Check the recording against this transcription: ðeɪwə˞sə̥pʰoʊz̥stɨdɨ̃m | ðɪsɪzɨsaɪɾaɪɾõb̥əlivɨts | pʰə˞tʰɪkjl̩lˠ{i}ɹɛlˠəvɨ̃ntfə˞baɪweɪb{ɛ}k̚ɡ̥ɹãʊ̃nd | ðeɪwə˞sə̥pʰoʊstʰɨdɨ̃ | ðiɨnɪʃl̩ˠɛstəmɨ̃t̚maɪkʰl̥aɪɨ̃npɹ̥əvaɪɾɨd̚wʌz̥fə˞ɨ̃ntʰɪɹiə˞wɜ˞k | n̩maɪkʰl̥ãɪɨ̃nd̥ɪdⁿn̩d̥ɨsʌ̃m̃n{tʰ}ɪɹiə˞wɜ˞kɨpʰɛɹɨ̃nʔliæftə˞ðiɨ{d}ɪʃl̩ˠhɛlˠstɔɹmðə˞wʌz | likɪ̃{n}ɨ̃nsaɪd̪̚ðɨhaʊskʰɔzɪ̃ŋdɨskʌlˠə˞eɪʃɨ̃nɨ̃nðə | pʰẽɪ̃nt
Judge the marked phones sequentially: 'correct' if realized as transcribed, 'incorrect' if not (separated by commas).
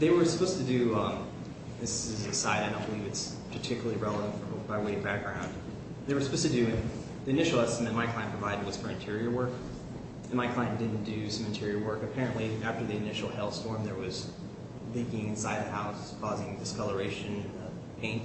correct, incorrect, correct, incorrect, incorrect